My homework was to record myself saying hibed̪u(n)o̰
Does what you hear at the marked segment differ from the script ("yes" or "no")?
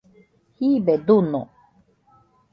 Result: no